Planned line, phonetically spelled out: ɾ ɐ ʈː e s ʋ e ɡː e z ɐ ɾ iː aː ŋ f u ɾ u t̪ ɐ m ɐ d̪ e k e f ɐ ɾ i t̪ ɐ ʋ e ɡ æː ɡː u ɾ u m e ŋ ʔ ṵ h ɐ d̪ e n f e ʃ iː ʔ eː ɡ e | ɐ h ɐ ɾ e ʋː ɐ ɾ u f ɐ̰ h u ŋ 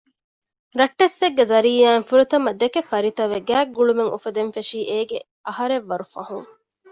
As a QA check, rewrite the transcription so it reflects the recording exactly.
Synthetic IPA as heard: ɾ ɐ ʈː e s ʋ e ɡː e z ɐ ɾ iː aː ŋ f u ɾ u t̪ ɐ m ɐ d̪ e k e f ɐ ɾ i t̪ ɐ ʋ e ɡ æː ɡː u ɭ u m e ŋ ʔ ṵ f ɐ d̪ e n f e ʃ iː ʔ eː ɡ e | ɐ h ɐ ɾ e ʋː ɐ ɾ u f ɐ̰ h u ŋ